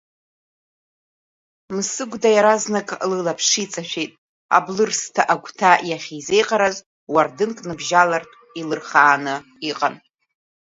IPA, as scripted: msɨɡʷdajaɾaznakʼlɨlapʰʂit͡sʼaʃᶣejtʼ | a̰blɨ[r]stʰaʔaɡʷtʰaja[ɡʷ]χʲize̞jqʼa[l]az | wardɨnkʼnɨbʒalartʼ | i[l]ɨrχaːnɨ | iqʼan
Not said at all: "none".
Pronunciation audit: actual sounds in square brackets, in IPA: r, none, ɾ, l

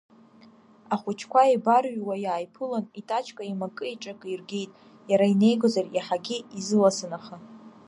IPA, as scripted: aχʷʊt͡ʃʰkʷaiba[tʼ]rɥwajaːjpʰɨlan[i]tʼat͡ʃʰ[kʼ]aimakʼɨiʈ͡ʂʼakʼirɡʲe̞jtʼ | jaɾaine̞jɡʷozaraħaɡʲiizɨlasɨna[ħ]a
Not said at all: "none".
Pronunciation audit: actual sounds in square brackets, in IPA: none, i, kʼ, χ

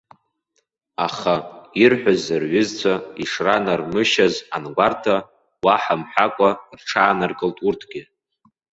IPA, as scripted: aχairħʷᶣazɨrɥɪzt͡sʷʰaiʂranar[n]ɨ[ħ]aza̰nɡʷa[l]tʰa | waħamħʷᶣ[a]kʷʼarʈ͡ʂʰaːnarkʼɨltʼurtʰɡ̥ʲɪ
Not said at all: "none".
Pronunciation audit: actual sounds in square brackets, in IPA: m, ʃ, r, a

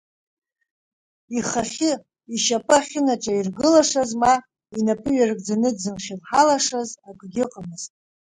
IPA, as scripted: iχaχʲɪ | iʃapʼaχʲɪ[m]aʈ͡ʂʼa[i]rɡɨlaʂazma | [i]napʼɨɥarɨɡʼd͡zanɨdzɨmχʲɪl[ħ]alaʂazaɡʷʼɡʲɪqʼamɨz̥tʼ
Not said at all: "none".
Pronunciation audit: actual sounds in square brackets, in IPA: n, i, i, ħ

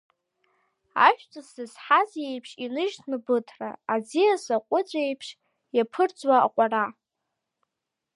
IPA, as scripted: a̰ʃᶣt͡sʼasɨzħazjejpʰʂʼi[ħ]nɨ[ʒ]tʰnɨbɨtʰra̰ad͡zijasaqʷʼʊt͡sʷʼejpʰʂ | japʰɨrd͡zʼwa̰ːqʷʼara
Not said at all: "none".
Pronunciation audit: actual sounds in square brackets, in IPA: none, ʒ

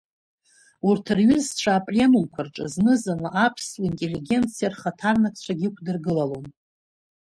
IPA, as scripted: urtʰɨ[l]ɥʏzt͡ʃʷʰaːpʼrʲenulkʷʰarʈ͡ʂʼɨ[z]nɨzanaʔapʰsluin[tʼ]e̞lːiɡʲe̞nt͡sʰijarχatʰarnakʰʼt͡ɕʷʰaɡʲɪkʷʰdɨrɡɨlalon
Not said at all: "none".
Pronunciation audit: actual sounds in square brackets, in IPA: r, z, tʼ

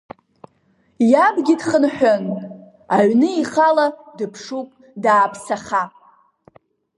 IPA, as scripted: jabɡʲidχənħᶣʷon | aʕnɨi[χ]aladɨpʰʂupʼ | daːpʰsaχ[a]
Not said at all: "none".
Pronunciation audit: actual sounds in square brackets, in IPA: χ, a

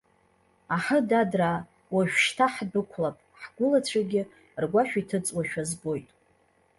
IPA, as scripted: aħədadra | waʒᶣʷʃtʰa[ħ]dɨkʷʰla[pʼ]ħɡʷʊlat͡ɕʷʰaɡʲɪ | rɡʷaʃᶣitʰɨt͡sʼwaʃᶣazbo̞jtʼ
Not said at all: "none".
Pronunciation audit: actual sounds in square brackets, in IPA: ħ, pʼ

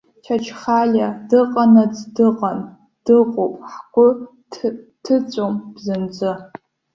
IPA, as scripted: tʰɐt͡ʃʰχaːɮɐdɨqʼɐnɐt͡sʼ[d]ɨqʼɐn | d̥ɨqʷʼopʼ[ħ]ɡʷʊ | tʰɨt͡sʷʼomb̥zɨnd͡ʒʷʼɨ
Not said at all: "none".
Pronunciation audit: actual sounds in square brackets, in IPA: d, ħ

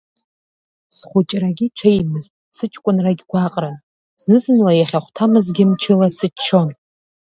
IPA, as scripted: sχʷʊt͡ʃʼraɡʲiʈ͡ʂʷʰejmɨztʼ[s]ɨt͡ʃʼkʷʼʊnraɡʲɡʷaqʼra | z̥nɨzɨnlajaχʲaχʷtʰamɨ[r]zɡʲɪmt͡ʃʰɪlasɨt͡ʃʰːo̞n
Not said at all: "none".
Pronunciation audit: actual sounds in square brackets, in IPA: s, none

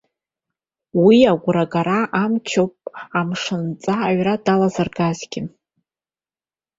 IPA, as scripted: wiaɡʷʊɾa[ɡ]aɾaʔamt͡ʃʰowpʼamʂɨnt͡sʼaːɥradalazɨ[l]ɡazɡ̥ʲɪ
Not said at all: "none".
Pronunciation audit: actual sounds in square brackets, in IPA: ɡ, r

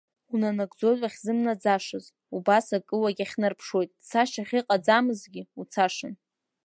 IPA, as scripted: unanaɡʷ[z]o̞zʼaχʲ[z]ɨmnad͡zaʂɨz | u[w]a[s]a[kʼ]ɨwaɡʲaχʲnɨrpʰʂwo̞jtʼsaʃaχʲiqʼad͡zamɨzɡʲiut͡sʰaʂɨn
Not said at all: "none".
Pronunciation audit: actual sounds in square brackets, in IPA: d͡z, z, b, s, kʼ

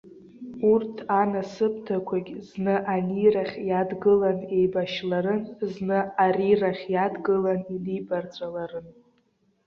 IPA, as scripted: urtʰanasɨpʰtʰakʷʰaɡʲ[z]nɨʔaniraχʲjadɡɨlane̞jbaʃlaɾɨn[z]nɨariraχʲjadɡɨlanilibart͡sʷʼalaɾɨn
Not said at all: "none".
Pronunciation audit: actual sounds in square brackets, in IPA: z, z

